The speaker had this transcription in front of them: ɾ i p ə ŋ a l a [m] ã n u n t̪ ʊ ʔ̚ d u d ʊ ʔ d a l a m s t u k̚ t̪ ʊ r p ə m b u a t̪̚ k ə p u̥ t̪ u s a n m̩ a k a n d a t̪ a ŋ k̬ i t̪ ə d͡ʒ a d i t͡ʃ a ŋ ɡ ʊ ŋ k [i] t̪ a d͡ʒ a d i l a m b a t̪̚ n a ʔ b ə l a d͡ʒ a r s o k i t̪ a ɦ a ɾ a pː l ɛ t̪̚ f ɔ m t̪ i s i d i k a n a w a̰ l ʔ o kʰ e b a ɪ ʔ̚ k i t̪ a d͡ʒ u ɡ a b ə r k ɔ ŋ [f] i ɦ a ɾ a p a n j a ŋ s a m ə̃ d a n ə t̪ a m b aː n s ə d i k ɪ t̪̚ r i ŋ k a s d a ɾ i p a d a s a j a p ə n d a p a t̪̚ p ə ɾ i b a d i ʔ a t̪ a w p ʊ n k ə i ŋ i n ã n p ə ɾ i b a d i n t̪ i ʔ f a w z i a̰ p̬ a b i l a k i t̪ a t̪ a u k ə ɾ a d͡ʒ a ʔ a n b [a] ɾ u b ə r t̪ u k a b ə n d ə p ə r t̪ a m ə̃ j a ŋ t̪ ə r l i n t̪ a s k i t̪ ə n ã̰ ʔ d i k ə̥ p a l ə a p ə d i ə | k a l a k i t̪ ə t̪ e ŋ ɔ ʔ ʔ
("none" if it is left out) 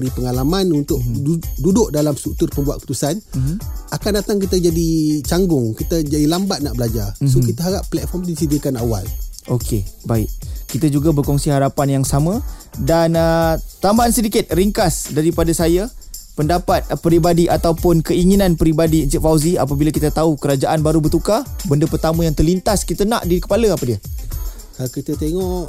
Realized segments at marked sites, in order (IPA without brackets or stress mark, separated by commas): m, i, s, a